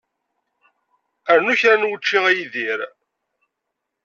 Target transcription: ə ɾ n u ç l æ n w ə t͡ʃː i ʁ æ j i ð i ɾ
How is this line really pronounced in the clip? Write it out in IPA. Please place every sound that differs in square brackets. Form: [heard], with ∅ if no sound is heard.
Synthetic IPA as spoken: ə ɾ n u ç [ɾ] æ n w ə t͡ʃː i ʁ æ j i ð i ɾ